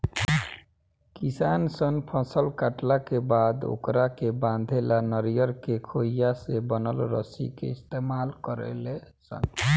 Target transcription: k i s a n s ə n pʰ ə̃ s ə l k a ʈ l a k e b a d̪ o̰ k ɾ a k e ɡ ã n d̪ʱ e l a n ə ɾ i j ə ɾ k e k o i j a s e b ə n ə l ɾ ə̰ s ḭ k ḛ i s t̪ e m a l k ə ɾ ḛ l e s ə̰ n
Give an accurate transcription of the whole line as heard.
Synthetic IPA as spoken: k i s a n s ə n pʰ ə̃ s ə l k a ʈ l a k e b a d̪ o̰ k ɾ a k e b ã n d̪ʱ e l a n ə ɾ i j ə ɾ k e kʰ o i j a s e b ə n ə l ɾ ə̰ s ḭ k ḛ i s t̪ e m a l k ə ɾ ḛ l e s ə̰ n